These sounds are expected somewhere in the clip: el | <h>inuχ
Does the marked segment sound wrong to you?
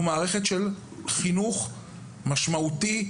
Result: yes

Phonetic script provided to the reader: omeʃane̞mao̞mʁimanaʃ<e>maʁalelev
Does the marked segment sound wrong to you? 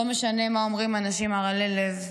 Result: yes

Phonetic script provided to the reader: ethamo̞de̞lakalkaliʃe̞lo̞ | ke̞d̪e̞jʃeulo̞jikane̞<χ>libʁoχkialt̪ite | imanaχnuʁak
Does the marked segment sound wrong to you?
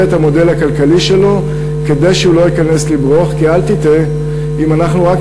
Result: yes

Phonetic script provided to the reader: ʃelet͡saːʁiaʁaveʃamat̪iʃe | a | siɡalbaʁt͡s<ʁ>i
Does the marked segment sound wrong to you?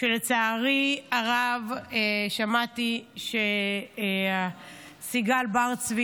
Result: yes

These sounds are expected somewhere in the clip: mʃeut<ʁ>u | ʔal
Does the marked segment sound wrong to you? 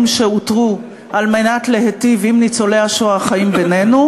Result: no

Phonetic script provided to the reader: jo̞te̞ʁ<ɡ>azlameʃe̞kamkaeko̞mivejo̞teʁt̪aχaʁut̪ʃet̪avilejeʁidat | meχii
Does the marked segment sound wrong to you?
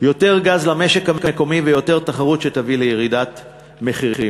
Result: no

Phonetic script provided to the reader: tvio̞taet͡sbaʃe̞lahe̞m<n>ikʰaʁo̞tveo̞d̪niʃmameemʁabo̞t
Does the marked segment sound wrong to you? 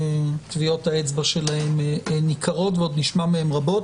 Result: no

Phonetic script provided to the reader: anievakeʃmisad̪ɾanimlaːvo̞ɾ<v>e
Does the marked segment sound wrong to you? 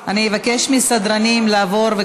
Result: no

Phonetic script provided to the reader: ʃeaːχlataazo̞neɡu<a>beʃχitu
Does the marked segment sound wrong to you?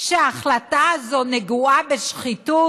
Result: no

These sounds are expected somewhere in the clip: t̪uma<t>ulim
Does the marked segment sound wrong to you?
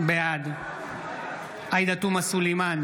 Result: yes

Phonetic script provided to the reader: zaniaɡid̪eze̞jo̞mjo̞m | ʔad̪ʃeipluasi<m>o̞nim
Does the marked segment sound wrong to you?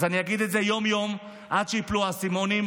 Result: no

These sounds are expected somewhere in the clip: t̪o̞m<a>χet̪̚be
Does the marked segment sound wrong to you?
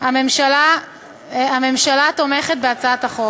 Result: yes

